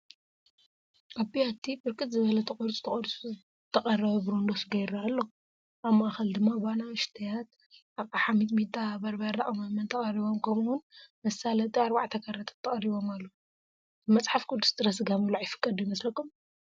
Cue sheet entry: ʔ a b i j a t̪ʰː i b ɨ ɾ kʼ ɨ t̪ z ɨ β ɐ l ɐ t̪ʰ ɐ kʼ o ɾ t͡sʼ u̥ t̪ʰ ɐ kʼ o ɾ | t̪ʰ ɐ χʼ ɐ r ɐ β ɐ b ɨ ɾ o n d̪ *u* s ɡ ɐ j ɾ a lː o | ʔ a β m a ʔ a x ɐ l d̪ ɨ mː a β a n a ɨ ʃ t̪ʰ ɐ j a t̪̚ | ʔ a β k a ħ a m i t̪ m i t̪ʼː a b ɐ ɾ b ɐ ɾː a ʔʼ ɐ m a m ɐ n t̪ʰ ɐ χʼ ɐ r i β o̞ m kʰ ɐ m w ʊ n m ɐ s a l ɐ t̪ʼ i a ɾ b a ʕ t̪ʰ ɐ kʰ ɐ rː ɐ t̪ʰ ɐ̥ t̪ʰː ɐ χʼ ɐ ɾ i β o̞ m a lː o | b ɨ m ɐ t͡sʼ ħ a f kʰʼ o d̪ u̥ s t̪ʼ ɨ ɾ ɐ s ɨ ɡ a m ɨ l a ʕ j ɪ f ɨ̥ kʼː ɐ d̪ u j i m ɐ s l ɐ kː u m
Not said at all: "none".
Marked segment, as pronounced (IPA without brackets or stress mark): o